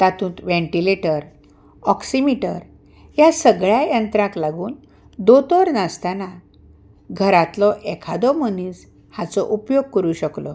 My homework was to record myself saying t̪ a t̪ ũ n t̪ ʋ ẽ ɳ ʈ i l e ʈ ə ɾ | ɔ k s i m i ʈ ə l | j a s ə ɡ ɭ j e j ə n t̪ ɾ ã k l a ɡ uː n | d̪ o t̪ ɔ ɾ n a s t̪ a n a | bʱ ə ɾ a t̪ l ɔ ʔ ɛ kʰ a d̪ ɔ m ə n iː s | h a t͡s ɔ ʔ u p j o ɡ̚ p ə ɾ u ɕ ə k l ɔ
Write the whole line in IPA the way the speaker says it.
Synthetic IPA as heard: t̪ a t̪ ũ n t̪ ʋ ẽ ɳ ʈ i l e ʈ ə ɾ | ɔ k s i m i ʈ ə ɾ | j a s ə ɡ ɭ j a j ə n t̪ ɾ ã k l a ɡ uː n | d̪ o t̪ ɔ ɾ n a s t̪ a n a | ɡʱ ə ɾ a t̪ l ɔ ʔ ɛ kʰ a d̪ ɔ m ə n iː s | h a t͡s ɔ ʔ u p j o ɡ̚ k ə ɾ u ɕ ə k l ɔ

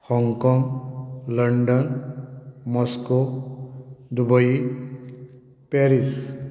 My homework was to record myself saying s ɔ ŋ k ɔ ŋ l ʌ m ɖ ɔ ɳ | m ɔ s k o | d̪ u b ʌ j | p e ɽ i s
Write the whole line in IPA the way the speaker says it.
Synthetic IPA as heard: h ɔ ŋ k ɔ ŋ l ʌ ɳ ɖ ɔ n | m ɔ s k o | d̪ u b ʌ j | p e ɾ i s

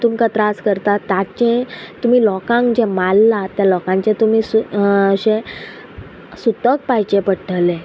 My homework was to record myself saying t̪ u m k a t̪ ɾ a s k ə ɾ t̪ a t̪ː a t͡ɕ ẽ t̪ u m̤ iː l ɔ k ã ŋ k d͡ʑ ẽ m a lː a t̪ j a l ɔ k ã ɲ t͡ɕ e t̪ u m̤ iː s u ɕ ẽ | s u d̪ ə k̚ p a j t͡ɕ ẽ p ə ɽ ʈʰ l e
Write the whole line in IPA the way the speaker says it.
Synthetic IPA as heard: t̪ u m k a t̪ ɾ a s k ə ɾ t̪ a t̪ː a t͡ɕ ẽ t̪ u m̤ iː l ɔ k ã ŋ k d͡ʑ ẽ m a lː a t̪ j a l ɔ k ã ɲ t͡ɕ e t̪ u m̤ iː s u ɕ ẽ | s u t̪ ə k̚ p a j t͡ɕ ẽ p ə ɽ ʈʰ l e

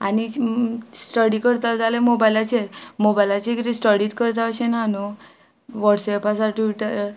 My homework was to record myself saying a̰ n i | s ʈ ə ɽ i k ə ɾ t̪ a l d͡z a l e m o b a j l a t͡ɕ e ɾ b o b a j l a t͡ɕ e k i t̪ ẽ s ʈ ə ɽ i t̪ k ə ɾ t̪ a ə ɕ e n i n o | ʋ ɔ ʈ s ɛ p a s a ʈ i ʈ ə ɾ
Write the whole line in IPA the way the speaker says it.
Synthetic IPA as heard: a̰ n i | s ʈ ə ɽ i k ə ɾ t̪ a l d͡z a l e m o b a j l a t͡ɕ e ɾ m o b a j l a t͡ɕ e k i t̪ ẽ s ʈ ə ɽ i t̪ k ə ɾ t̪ a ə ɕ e n a n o | ʋ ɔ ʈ s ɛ p a s a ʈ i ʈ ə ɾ

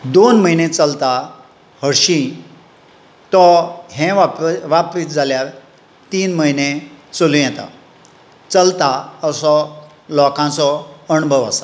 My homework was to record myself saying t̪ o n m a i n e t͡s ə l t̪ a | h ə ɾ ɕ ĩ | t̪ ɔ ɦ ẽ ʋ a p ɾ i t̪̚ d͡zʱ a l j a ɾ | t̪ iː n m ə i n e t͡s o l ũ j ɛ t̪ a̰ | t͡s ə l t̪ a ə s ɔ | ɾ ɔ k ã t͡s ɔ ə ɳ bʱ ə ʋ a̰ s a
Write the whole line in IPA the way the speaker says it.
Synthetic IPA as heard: d̪ o n m ə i n e t͡s ə l t̪ a | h ə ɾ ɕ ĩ | t̪ ɔ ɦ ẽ ʋ a p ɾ i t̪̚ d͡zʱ a l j a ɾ | t̪ iː n m ə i n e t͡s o l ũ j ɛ t̪ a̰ | t͡s ə l t̪ a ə s ɔ | l ɔ k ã t͡s ɔ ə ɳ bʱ ə ʋ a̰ s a

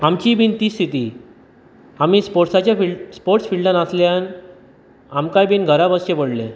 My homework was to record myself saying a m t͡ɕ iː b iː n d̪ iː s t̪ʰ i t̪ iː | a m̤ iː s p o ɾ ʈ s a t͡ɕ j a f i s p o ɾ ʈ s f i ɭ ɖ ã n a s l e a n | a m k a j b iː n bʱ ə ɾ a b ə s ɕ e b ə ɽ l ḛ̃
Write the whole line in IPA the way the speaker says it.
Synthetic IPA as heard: a m t͡ɕ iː b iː n t̪ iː s t̪ʰ i t̪ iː | a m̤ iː s p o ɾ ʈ s a t͡ɕ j a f i s p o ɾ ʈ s f i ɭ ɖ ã n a s l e a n | a m k a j b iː n ɡʱ ə ɾ a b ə s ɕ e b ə ɽ l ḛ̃

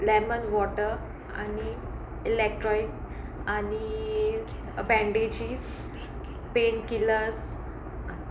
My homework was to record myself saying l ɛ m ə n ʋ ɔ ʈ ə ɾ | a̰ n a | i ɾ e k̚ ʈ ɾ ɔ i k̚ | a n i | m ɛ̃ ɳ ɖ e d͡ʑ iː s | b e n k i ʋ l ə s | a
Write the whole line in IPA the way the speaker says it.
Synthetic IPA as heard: l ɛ m ə n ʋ ɔ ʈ ə ɾ | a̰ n i | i l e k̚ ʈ ɾ ɔ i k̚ | a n i | b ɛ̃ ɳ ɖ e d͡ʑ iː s | p e n k i l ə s | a

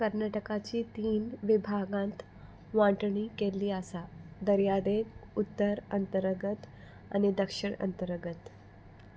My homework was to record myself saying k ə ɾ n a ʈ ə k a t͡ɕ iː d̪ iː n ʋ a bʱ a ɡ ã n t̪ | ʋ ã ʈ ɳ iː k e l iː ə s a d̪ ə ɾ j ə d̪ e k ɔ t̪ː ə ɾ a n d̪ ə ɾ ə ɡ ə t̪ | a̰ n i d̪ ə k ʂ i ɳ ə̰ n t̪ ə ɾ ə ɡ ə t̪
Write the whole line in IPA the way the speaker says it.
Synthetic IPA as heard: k ə ɾ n a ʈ ə k a t͡ɕ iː t̪ iː n ʋ i bʱ a ɡ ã n t̪ | ʋ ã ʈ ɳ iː k e l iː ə s a d̪ ə ɾ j a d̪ e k u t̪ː ə ɾ ə n t̪ ə ɾ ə ɡ ə t̪ | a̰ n i d̪ ə k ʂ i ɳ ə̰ n t̪ ə ɾ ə ɡ ə t̪

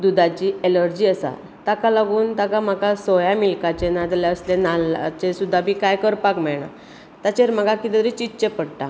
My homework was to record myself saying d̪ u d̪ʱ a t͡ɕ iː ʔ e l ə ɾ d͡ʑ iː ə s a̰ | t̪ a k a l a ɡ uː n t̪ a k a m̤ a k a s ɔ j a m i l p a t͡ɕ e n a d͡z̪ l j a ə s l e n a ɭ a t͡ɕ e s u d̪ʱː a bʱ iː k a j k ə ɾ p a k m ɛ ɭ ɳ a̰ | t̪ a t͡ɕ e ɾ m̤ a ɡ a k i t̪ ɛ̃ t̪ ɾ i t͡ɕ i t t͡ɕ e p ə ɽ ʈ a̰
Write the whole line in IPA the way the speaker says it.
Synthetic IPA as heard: d̪ u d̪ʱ a t͡ɕ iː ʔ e l ə ɾ d͡ʑ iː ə s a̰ | t̪ a k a l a ɡ uː n t̪ a k a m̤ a k a s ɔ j a m i l k a t͡ɕ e n a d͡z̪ l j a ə s l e n a l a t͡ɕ e s u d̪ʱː a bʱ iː k a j k ə ɾ p a k m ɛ ɭ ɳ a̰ | t̪ a t͡ɕ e ɾ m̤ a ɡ a k i t̪ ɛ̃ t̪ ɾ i t͡ɕ i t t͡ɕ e p ə ɽ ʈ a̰

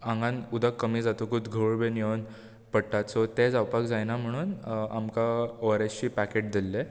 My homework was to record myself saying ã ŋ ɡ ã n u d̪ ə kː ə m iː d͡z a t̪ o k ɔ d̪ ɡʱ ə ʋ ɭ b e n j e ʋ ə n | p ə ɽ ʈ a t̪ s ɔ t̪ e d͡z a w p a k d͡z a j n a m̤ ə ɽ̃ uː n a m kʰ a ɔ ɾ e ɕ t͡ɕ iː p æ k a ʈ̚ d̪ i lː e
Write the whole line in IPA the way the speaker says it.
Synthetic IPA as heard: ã ŋ ɡ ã n u d̪ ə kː ə m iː d͡z a t̪ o k u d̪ ɡʱ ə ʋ ɭ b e n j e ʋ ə n | p ə ɽ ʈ a t̪ s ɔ t̪ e d͡z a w p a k d͡z a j n a m̤ ə ɽ̃ uː n a m k a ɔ ɾ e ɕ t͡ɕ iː p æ k e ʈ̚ d̪ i lː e

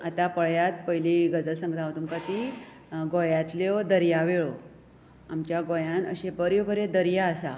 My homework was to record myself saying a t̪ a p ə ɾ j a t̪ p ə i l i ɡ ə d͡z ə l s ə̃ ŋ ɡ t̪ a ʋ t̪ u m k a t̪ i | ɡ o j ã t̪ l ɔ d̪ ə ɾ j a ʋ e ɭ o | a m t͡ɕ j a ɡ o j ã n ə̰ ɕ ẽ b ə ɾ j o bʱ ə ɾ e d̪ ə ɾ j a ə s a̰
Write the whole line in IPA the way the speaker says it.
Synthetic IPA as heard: a t̪ a p ə ɭ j a t̪ p ə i l i ɡ ə d͡z ə l s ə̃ ŋ ɡ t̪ a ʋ t̪ u m k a t̪ i | ɡ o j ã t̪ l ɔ d̪ ə ɾ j a ʋ e ɭ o | a m t͡ɕ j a ɡ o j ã n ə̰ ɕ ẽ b ə ɾ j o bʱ ə ɾ e d̪ ə ɾ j a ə s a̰

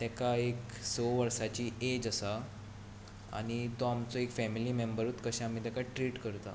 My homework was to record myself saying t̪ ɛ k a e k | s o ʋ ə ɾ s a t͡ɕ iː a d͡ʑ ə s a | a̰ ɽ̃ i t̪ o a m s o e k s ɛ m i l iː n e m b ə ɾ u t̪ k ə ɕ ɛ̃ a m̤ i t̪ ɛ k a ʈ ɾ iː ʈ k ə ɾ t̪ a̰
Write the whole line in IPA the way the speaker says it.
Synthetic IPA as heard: t̪ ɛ k a e k | s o ʋ ə ɾ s a t͡ɕ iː e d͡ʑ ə s a | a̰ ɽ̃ i t̪ o a m t͡s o e k f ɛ m i l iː m e m b ə ɾ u t̪ k ə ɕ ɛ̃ a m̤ i t̪ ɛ k a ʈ ɾ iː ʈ k ə ɾ t̪ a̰

